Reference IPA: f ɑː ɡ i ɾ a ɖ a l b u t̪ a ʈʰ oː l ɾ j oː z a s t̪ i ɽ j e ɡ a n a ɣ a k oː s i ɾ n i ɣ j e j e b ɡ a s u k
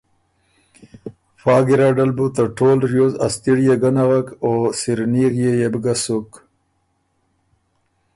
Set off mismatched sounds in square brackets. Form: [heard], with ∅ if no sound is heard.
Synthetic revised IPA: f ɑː ɡ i ɾ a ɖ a l b u t̪ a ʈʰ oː l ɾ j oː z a s t̪ i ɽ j e ɡ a n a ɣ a k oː s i ɾ n i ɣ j e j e b ɡ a s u k